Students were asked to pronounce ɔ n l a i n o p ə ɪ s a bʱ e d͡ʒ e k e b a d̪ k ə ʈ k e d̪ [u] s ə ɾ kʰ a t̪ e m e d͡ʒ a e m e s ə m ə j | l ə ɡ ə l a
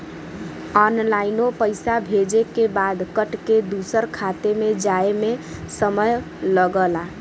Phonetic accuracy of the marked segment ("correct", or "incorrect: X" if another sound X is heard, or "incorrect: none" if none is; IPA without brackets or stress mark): correct